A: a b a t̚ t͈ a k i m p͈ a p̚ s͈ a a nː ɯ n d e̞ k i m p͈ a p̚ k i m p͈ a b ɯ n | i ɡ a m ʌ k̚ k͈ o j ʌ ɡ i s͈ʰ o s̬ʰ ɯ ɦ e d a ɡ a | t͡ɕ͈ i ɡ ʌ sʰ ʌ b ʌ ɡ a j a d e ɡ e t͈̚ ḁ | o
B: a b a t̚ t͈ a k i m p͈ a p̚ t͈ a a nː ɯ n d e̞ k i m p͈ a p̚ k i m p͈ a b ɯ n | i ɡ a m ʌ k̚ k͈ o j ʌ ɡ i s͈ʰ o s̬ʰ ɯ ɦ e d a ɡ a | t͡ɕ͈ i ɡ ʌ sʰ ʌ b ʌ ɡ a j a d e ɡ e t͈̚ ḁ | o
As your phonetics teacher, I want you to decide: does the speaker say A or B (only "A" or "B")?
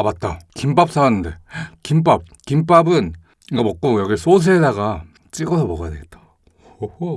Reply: A